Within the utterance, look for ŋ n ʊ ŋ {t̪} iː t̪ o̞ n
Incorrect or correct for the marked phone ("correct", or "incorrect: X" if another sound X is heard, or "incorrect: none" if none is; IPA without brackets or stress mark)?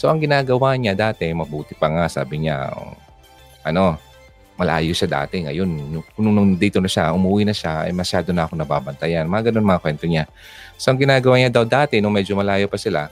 incorrect: d̪